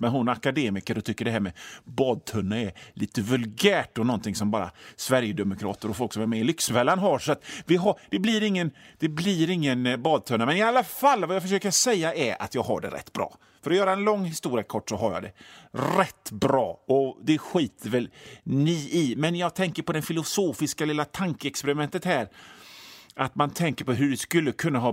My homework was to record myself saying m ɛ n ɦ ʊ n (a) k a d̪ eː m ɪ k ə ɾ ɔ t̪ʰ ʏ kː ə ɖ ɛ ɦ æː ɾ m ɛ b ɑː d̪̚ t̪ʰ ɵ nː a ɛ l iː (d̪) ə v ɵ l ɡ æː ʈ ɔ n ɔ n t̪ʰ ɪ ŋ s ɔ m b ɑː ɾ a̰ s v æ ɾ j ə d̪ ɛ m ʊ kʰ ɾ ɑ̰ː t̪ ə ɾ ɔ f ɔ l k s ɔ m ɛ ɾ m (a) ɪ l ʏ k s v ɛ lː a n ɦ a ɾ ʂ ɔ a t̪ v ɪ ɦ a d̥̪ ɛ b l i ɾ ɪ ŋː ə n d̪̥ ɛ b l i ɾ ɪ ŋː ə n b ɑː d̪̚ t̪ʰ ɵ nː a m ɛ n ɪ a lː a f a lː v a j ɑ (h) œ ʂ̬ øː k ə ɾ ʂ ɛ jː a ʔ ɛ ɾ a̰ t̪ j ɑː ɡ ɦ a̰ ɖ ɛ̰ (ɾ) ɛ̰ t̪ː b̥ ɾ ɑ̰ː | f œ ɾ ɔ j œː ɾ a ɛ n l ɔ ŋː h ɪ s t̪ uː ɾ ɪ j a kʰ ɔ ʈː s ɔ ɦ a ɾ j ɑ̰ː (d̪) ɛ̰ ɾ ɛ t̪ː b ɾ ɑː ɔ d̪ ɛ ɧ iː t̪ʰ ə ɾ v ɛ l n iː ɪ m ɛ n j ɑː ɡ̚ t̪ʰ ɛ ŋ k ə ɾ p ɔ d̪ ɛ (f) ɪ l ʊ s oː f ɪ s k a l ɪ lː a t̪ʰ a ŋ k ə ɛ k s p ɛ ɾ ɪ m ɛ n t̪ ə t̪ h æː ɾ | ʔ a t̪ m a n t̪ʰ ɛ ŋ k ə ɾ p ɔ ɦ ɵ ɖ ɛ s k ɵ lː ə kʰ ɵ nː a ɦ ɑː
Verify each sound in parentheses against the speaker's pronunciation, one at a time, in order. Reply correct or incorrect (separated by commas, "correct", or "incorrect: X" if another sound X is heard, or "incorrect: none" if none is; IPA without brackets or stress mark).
correct, incorrect: t̪, incorrect: ɛ, incorrect: f, correct, correct, correct